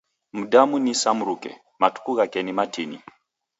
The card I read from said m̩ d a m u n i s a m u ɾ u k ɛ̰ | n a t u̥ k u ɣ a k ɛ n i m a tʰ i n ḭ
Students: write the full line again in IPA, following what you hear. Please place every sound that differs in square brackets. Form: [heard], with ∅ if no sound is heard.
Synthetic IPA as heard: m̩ d a m u n i s a m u ɾ u k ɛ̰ | [m] a t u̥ k u ɣ a k ɛ n i m a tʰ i n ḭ